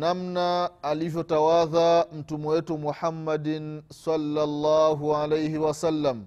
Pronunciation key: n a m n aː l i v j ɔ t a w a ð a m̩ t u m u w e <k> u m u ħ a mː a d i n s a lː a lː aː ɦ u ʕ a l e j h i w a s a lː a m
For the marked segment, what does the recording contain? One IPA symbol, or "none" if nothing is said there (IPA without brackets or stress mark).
t